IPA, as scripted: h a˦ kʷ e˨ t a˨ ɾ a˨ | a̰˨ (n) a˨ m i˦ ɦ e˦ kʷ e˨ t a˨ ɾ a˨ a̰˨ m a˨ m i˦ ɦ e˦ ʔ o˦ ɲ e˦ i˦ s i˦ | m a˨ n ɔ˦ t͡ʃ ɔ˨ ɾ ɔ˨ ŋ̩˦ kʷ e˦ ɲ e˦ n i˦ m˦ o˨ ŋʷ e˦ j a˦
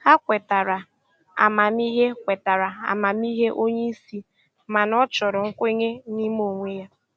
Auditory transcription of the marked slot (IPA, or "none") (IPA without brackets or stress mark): m